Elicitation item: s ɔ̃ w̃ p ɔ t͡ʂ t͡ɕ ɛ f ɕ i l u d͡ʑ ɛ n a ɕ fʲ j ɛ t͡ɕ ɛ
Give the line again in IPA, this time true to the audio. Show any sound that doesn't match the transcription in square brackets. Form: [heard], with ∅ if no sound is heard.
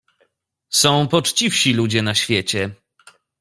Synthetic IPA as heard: s ɔ̃ w̃ p ɔ t͡ʂ t͡ɕ [i] f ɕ i l u d͡ʑ ɛ n a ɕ fʲ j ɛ t͡ɕ ɛ